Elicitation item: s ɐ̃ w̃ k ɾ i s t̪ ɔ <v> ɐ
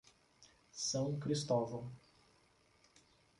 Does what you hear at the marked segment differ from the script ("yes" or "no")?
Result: no